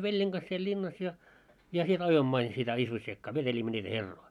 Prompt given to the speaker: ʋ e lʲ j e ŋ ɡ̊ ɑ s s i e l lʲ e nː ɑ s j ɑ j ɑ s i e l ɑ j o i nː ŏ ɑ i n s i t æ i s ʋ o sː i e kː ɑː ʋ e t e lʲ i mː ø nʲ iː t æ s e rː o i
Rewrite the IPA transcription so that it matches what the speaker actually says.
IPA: ʋ e lʲ j e ŋ ɡ̊ ɑ s s i e l lʲ i nː ɑ s j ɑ j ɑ s i e l ɑ j o i mː ŏ ɑ i n s i t æ i s ʋ o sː i e kː ɑː ʋ e t e lʲ i mː ø nʲ iː t æ h e rː o i